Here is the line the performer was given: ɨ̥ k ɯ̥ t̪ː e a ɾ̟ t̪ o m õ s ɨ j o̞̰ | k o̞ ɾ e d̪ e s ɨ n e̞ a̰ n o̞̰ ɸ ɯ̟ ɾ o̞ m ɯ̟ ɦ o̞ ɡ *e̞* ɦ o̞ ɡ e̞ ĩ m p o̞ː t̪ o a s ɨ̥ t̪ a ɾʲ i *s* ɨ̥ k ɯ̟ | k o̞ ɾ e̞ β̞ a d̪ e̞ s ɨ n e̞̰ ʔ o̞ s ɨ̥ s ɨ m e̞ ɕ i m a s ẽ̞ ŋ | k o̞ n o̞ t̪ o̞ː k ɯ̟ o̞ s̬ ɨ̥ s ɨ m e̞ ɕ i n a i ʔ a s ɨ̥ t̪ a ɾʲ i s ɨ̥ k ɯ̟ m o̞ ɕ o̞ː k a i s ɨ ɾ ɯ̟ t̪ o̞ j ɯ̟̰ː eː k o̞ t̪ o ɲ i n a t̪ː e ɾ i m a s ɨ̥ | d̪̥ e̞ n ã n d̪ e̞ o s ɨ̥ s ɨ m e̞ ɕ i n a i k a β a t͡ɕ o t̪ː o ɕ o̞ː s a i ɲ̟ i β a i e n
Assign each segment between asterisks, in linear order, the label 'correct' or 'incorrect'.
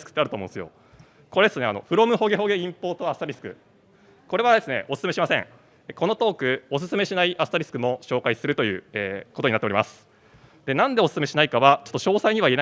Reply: correct, correct

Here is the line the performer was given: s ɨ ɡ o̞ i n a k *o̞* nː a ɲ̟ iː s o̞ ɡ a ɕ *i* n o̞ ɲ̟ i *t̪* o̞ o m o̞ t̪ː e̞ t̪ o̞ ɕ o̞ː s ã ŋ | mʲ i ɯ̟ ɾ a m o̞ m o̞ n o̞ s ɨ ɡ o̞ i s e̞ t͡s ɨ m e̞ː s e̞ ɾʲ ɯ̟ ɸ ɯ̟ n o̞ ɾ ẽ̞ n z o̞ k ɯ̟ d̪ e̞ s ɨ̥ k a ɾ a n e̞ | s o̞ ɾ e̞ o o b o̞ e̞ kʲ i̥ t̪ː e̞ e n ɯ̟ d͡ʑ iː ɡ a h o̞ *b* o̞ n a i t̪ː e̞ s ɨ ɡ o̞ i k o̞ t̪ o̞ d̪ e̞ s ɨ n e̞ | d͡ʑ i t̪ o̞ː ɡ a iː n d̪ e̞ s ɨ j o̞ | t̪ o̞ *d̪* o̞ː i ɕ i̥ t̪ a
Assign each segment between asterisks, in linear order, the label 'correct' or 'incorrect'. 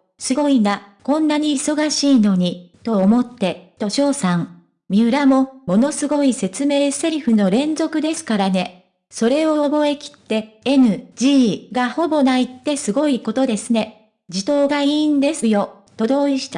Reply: incorrect, incorrect, correct, correct, correct

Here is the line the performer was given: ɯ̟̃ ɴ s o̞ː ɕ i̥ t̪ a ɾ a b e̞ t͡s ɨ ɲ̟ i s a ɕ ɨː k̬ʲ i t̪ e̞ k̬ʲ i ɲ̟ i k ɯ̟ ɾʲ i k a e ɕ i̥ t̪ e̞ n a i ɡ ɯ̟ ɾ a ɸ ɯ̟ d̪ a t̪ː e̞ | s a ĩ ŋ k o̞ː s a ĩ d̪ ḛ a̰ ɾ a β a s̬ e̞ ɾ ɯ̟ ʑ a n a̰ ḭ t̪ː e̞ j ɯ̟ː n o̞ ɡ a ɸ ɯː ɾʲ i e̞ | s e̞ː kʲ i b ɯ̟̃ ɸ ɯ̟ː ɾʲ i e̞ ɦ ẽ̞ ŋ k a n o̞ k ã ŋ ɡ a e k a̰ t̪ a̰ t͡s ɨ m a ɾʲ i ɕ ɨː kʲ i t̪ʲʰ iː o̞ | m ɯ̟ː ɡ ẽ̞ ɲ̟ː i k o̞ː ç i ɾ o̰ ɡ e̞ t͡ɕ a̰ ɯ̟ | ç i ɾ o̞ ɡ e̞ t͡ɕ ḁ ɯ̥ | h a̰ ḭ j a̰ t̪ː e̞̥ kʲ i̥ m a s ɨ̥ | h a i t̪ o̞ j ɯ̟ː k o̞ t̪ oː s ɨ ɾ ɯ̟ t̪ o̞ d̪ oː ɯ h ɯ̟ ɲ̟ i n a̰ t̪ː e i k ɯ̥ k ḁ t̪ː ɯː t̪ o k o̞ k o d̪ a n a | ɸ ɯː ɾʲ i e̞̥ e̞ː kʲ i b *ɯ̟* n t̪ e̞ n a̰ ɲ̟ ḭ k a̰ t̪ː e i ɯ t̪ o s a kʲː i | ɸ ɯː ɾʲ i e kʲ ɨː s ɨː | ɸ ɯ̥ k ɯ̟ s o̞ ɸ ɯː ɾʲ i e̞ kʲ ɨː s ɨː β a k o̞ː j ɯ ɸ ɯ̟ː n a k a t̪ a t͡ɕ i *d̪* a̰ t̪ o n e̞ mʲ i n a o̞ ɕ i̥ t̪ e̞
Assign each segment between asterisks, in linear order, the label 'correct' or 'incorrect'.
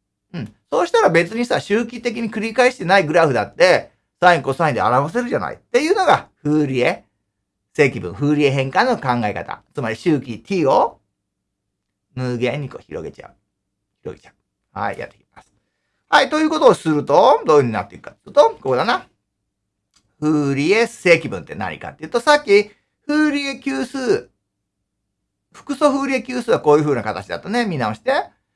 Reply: incorrect, correct

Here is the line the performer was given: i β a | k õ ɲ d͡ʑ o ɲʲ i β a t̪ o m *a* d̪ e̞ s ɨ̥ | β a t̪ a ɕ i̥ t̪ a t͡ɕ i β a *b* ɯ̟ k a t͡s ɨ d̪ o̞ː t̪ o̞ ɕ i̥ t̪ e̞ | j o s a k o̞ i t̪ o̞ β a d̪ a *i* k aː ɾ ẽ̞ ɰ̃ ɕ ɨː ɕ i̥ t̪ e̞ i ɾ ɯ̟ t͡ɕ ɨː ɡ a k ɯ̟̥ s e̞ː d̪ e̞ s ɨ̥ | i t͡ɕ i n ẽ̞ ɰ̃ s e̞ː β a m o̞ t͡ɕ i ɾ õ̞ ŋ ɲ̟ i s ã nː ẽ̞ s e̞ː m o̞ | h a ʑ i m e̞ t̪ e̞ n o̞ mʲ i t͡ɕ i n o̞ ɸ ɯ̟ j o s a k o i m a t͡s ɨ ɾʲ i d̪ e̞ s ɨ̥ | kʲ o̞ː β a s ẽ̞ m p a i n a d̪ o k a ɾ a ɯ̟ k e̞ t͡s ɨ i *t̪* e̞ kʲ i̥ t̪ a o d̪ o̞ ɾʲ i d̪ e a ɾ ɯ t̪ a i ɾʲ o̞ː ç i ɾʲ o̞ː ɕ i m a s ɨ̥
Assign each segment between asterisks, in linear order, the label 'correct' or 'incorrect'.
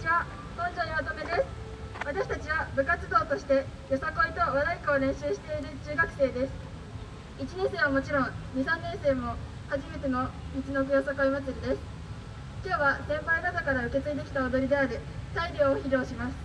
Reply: incorrect, correct, correct, incorrect

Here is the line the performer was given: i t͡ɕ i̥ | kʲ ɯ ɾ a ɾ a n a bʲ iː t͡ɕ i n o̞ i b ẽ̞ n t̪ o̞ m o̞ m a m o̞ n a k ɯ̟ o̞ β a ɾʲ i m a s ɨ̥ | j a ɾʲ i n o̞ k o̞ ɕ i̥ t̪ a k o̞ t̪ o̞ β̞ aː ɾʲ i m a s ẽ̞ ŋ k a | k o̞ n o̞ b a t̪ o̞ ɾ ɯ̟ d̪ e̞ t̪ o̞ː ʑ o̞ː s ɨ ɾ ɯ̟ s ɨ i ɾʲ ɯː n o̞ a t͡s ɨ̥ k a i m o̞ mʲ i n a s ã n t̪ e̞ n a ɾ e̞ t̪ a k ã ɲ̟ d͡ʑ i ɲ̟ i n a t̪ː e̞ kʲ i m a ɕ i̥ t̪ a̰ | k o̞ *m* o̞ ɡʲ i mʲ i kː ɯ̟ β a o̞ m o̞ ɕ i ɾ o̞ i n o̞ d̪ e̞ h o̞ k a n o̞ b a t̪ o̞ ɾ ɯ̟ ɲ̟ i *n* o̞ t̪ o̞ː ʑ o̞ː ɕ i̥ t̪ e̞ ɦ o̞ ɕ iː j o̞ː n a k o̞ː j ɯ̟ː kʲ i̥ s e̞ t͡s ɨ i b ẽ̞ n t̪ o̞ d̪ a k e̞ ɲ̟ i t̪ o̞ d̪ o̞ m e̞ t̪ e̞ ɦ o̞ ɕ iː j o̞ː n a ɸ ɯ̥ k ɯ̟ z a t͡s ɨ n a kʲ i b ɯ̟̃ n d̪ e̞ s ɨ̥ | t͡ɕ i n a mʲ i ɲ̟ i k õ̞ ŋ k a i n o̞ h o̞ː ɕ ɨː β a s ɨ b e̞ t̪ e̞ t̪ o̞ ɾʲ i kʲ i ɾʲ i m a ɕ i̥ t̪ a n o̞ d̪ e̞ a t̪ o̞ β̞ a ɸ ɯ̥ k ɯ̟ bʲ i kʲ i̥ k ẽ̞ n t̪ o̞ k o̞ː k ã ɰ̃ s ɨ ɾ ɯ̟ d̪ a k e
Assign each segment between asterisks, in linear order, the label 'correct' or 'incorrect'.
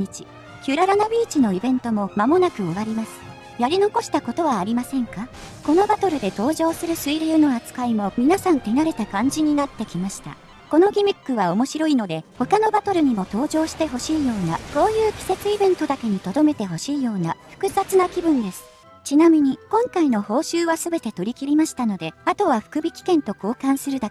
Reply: incorrect, incorrect

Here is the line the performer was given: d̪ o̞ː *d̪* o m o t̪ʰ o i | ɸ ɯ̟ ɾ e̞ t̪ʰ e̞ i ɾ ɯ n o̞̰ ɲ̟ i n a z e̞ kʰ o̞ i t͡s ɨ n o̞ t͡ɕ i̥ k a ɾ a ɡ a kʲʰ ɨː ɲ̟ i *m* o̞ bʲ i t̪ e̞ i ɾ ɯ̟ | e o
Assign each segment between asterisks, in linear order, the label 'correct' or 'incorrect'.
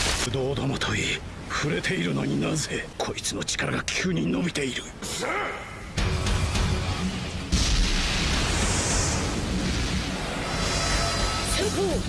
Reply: correct, incorrect

